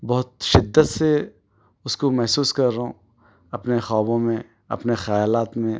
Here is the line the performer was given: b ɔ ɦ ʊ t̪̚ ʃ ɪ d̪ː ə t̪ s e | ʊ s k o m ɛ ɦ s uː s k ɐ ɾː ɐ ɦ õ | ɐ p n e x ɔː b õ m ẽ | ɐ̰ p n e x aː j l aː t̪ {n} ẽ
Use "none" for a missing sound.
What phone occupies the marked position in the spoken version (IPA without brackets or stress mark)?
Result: m